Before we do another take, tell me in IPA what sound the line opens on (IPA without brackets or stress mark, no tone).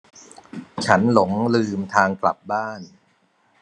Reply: t͡ɕʰ